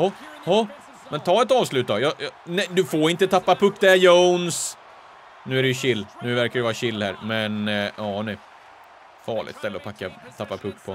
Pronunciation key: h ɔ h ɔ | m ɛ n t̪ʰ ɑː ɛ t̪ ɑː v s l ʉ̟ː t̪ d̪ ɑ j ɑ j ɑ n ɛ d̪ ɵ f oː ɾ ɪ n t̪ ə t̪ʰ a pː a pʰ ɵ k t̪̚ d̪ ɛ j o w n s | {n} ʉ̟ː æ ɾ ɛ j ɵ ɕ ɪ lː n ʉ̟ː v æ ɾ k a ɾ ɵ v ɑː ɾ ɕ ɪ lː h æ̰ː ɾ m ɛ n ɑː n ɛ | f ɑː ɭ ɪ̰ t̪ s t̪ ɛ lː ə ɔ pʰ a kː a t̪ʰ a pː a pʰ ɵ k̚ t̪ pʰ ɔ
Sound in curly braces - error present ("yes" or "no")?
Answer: no